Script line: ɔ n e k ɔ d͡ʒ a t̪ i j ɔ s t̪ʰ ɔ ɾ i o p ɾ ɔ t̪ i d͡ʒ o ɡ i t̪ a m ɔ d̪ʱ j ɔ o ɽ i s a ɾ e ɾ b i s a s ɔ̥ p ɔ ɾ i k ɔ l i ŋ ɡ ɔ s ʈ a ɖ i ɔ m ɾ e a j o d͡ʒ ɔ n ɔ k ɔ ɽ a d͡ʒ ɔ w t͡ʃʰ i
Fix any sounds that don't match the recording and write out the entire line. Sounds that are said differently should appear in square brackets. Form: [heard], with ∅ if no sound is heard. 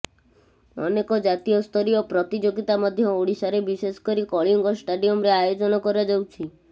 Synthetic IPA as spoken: ɔ n e k ɔ d͡ʒ a t̪ i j ɔ s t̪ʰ ɔ ɾ i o p ɾ ɔ t̪ i d͡ʒ o ɡ i t̪ a m ɔ d̪ʱ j ɔ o ɽ i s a ɾ e [∅] b i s [e] s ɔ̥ [k] ɔ ɾ i k ɔ [ɭ] i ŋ ɡ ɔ s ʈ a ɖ i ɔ m ɾ e a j o d͡ʒ ɔ n ɔ k ɔ [ɾ] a d͡ʒ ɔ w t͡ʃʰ i